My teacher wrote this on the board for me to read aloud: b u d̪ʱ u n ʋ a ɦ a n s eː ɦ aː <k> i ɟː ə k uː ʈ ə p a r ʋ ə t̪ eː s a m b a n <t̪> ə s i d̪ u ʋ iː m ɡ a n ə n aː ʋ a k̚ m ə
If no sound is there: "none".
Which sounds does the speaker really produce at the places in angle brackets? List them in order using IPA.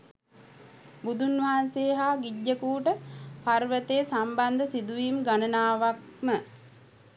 ɡ, d̪

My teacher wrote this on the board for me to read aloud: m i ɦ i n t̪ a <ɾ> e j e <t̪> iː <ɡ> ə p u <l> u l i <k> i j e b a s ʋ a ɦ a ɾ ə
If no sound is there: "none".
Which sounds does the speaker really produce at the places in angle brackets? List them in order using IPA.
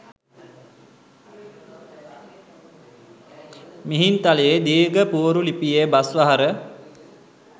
l, d̪, ɡ, ɾ, p

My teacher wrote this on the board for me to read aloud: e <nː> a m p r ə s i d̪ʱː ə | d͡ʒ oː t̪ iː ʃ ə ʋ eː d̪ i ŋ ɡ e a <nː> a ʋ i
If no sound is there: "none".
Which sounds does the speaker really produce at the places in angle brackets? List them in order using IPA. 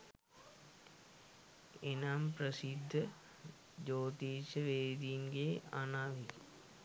n, n

